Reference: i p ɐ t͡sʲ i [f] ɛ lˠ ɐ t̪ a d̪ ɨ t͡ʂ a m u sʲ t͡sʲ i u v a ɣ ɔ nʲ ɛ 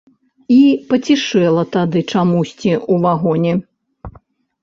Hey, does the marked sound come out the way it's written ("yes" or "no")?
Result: no